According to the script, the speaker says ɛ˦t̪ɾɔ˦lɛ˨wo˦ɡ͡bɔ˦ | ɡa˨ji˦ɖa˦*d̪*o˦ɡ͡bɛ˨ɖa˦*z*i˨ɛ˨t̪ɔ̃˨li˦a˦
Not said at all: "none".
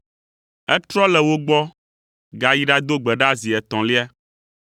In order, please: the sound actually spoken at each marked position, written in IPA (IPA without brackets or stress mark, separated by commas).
d̪, z